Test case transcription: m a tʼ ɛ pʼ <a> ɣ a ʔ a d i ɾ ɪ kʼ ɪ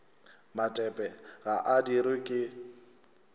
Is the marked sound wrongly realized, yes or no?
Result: yes